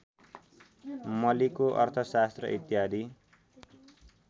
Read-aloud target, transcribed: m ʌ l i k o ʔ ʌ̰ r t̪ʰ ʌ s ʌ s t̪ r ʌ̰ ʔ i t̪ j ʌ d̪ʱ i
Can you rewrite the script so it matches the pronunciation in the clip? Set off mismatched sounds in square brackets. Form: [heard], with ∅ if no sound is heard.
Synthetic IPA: m ʌ l i k o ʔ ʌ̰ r t̪ʰ ʌ s [a] s t̪ r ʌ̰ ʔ i t̪ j [a] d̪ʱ i